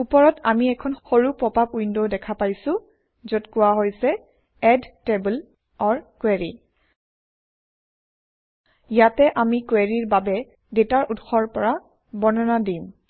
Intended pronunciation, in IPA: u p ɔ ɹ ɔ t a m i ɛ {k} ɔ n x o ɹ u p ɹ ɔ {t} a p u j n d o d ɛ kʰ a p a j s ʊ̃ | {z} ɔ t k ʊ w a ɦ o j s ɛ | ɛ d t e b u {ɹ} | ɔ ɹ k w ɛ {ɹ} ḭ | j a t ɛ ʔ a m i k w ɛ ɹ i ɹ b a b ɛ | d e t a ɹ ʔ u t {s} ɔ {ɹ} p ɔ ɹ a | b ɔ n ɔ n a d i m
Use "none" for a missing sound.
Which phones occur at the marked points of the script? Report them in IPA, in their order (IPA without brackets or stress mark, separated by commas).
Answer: kʰ, p, z, l, ɹ, x, ɹ